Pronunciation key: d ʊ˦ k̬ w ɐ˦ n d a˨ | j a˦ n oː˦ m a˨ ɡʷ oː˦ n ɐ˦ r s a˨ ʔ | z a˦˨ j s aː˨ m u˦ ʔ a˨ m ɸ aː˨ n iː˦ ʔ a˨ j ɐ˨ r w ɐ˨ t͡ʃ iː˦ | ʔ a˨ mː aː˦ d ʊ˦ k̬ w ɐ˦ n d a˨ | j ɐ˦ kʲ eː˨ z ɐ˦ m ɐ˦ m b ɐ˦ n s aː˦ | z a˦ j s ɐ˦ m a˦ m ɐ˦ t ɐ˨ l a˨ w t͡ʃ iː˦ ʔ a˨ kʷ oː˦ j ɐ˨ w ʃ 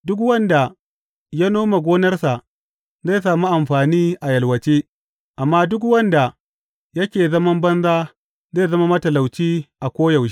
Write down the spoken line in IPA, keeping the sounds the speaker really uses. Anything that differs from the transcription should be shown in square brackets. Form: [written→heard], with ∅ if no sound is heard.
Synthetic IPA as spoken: d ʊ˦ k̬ w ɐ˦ n d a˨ | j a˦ n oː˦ m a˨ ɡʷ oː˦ n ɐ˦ r s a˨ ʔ | z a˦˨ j s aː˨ m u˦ ʔ a˨ m ɸ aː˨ n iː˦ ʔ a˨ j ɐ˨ [r→l] w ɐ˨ t͡ʃ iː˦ | ʔ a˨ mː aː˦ d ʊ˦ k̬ w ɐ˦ n d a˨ | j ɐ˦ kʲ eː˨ z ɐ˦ m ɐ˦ m b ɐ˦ n [s→z] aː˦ | z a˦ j [s→z] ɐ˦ m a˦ m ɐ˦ t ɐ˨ l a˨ w t͡ʃ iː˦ ʔ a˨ kʷ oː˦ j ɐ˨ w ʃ